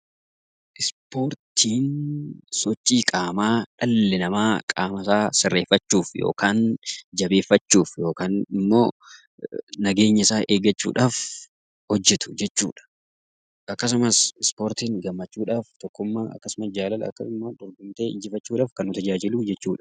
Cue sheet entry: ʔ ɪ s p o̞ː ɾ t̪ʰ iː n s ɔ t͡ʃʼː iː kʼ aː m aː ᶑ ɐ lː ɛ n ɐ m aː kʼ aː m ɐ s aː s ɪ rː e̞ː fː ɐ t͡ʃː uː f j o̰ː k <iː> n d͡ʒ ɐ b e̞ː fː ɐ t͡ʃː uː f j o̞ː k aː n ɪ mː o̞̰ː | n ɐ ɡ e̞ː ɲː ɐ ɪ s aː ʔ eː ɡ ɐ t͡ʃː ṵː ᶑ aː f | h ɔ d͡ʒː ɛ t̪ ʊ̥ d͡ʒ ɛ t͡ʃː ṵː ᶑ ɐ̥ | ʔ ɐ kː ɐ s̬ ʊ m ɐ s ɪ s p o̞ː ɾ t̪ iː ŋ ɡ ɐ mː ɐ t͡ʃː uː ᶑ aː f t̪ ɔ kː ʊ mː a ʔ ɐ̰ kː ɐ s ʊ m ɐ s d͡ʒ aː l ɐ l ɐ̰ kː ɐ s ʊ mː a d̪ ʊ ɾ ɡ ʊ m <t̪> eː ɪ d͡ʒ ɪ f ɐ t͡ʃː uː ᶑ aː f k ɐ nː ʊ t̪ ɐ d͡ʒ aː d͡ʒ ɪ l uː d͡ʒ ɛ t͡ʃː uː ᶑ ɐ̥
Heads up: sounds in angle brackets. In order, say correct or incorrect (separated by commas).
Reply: incorrect, correct